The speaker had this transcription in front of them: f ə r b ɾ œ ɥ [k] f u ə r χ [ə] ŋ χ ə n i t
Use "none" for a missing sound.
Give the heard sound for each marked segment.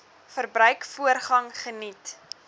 k, ɐ

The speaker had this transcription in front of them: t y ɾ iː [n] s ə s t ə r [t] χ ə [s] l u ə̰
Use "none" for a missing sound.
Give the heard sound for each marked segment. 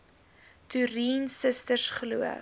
n, s, none

